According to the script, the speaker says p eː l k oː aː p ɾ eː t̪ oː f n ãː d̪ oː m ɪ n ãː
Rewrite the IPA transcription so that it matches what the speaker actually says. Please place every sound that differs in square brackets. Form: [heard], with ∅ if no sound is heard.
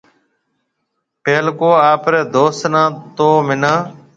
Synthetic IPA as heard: p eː l k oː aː p ɾ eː [d̪] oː [s] n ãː [t̪] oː m ɪ n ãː